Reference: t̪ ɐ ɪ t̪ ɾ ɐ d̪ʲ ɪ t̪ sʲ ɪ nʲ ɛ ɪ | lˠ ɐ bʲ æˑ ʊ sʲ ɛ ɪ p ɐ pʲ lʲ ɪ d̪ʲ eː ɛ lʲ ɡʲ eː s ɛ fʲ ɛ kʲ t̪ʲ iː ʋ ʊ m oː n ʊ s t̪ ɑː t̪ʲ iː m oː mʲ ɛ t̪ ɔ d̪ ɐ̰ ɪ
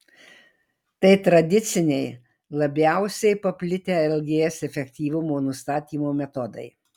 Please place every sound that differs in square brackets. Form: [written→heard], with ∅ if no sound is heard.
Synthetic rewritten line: t̪ ɐ ɪ t̪ ɾ ɐ d̪ʲ ɪ t̪ sʲ ɪ nʲ ɛ ɪ | lˠ ɐ bʲ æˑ ʊ sʲ ɛ ɪ p ɐ pʲ lʲ ɪ [d̪ʲ→t̪ʲ] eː ɛ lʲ ɡʲ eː s ɛ fʲ ɛ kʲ t̪ʲ iː ʋ ʊ m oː n ʊ s t̪ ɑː t̪ʲ iː m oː mʲ ɛ t̪ ɔ d̪ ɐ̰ ɪ